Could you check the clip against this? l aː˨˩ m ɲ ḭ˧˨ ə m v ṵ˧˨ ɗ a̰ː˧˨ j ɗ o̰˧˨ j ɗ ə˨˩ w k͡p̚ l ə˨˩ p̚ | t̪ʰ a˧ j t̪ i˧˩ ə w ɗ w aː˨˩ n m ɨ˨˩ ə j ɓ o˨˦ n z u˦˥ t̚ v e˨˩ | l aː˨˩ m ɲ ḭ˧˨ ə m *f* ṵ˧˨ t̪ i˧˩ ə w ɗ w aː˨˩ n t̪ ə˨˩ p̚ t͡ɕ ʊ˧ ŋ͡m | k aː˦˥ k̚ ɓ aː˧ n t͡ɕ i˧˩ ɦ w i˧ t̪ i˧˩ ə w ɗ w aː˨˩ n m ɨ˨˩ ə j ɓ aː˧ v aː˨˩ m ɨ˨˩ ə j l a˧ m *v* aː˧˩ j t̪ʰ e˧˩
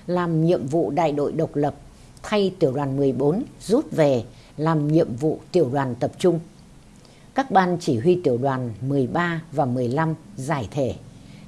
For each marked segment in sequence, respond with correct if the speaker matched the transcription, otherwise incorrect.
incorrect, incorrect

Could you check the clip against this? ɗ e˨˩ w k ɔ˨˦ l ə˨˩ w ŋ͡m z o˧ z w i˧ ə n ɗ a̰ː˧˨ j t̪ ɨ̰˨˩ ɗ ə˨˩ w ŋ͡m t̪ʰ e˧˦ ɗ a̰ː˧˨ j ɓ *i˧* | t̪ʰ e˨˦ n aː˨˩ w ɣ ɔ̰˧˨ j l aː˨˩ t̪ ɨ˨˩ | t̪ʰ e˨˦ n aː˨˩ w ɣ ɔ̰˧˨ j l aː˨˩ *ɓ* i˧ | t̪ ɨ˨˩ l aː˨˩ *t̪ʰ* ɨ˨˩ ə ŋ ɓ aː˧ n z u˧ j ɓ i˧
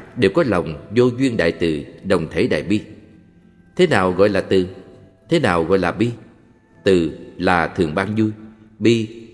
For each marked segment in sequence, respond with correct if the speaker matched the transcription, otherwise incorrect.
correct, correct, correct

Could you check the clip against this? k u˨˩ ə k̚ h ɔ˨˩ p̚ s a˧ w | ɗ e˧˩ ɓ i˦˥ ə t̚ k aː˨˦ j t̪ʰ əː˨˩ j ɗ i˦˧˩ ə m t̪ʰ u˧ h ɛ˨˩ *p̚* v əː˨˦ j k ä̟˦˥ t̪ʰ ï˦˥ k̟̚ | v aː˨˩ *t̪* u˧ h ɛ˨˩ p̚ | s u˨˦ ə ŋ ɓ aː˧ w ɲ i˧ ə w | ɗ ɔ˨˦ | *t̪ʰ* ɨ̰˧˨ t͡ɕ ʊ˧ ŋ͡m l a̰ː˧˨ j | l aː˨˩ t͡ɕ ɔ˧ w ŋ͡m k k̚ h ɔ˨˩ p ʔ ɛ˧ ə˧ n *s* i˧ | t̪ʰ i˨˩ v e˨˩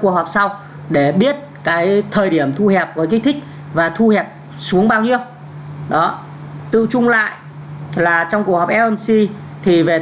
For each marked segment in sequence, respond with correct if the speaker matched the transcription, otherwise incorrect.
correct, incorrect, incorrect, correct

